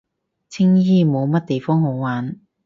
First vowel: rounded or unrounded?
unrounded